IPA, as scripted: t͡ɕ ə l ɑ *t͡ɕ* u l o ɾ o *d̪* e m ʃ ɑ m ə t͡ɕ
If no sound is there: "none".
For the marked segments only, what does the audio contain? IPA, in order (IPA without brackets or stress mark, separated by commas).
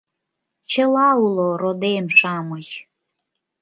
none, d̪